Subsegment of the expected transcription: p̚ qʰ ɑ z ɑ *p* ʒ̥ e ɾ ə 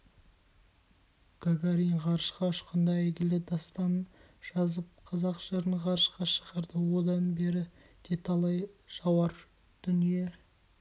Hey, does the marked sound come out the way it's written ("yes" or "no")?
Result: no